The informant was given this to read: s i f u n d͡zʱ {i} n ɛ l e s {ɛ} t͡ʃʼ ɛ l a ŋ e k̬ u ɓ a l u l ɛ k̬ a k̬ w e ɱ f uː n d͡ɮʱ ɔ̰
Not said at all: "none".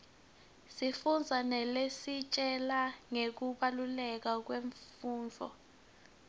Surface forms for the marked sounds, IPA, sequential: a, i

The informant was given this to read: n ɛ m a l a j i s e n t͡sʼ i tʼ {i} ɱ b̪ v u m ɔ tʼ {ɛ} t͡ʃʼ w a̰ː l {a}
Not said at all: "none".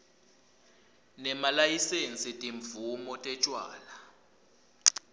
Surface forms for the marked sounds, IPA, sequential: i, ɛ, a

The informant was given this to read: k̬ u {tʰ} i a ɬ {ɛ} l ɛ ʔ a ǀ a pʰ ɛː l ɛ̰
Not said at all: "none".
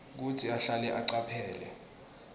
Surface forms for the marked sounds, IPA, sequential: tʰ, a

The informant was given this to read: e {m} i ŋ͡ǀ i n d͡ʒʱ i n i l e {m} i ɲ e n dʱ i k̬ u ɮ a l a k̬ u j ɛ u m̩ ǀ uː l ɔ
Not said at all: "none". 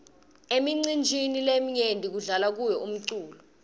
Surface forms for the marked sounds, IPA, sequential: m, m

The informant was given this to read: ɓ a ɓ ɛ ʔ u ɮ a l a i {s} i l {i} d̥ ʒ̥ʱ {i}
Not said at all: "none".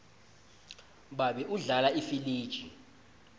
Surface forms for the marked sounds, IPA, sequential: f, iː, i

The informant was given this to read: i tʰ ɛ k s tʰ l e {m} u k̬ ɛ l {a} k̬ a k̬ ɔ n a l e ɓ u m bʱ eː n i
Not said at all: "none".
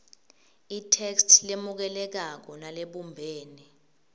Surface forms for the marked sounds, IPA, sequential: m, ɛ

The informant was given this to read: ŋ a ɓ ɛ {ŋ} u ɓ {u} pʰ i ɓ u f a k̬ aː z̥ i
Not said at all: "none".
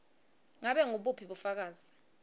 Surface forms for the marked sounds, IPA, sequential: ŋ, u

